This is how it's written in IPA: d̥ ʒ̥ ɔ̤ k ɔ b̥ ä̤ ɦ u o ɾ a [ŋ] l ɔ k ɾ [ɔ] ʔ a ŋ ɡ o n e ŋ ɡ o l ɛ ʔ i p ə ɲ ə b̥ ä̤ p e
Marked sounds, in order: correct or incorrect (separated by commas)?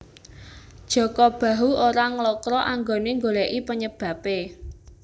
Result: correct, correct